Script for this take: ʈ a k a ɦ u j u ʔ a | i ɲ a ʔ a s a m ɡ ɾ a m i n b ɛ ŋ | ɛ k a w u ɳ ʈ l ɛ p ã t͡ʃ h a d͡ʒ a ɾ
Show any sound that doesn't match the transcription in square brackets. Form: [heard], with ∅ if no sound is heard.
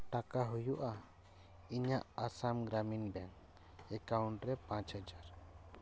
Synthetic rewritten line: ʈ a k a ɦ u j u ʔ a | i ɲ a ʔ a s a m ɡ ɾ a m i n b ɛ ŋ | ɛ k a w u ɳ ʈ [ɾ] ɛ p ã t͡ʃ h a d͡ʒ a ɾ